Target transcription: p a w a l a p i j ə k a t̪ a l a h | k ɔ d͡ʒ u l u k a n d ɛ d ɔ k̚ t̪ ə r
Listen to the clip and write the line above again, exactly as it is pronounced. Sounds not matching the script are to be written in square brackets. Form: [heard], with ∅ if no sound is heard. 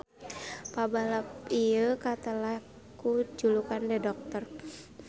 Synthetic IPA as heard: p a [b] a l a p i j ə k a t̪ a l a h | k [u] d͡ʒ u l u k a n d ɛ d ɔ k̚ t̪ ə r